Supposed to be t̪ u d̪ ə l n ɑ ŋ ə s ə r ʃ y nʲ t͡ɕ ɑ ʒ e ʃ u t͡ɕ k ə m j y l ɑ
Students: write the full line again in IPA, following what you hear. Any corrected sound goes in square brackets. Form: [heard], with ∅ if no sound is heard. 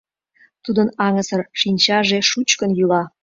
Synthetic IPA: t̪ u d̪ ə [∅] n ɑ ŋ ə s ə r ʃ [i] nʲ t͡ɕ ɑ ʒ e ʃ u t͡ɕ k ə [n] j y l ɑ